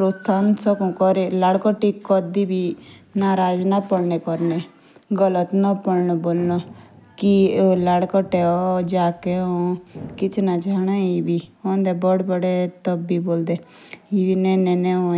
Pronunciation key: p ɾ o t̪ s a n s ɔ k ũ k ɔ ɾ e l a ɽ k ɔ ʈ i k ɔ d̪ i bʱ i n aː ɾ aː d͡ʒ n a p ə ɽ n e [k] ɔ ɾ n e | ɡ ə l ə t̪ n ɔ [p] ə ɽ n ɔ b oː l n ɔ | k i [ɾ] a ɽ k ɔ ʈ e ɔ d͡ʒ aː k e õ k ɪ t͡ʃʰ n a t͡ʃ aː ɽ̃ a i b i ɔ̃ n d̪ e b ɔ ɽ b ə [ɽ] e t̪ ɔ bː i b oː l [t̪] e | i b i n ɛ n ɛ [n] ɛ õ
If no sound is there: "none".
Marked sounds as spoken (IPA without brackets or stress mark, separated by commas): k, p, l, ɽ, d̪, n